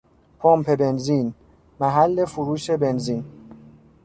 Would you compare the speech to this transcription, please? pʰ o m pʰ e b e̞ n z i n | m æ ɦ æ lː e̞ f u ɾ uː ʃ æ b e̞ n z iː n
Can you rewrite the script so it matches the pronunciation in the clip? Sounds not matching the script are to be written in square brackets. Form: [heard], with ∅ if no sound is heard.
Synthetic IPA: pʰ o m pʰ e b e̞ n z i n | m æ ɦ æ lː e̞ f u ɾ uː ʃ [e] b e̞ n z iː n